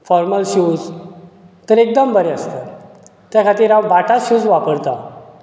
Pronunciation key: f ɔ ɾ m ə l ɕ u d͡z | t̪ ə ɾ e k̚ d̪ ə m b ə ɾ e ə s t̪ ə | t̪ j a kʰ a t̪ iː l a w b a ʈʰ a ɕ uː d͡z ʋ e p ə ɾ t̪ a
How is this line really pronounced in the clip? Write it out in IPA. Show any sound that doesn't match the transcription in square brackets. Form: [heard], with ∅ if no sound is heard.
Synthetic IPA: f ɔ ɾ m ə l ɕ u d͡z | t̪ ə ɾ e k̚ d̪ ə m b ə ɾ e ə s t̪ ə | t̪ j a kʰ a t̪ iː [ɾ] a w b a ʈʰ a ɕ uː d͡z ʋ [a] p ə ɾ t̪ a

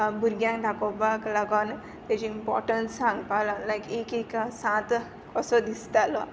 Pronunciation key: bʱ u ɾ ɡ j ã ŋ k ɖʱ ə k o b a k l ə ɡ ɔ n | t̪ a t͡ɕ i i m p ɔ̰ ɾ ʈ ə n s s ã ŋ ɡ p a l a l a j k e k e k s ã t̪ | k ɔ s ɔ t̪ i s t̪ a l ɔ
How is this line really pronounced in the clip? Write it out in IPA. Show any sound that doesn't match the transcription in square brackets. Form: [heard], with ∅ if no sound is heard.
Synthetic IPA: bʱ u ɾ ɡ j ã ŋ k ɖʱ [a] k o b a k l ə ɡ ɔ n | t̪ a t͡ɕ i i m p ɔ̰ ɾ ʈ ə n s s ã ŋ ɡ p a l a l a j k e k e k s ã t̪ | k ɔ s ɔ [d̪] i s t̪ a l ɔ

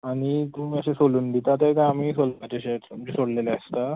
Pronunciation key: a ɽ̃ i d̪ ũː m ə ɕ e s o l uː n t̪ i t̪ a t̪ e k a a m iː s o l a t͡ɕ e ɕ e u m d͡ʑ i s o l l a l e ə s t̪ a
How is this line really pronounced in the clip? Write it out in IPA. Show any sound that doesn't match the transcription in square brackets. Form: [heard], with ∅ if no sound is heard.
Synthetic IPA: a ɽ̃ i [t̪] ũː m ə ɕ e s o l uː n [d̪] i t̪ a t̪ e k a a m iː s o l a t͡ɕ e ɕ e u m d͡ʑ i s o [ɽ] l [e] l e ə s t̪ a

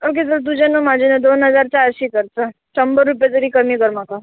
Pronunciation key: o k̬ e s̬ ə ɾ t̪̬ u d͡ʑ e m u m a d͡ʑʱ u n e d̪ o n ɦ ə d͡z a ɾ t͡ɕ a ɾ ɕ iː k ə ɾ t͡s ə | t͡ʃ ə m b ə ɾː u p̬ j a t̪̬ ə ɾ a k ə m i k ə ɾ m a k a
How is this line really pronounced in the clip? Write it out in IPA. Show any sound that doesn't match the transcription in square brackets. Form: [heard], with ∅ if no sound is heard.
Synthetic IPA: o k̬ e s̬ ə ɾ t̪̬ u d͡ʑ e [n] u m a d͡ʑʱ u n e d̪ o n ɦ ə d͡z a ɾ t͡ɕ a ɾ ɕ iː k ə ɾ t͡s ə | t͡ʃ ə m b ə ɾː u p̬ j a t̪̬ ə ɾ [i] k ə m i k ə ɾ m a k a

